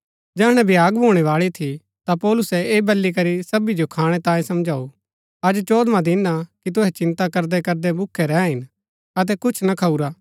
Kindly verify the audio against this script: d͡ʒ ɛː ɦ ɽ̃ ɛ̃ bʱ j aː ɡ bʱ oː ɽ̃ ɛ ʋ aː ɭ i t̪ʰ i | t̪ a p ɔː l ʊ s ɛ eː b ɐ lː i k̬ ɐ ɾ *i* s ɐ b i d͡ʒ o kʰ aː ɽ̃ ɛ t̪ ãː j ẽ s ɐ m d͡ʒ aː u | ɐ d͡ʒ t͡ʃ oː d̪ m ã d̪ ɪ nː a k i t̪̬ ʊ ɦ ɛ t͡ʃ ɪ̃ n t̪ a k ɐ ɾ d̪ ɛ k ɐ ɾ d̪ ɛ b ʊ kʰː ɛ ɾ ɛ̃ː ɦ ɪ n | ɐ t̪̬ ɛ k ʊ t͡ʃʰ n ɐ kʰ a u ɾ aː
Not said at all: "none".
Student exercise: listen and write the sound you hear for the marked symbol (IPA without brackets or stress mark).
i